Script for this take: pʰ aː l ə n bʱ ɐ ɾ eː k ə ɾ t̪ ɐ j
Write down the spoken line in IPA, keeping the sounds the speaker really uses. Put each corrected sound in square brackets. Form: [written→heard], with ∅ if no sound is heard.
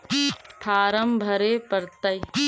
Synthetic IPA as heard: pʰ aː [l→ɾ] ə [n→m] bʱ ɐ ɾ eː [k→p] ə ɾ t̪ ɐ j